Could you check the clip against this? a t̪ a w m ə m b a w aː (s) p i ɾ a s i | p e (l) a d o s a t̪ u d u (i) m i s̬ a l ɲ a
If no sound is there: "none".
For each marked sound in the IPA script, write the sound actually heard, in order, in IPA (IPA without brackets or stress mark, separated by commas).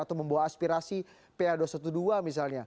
s, none, a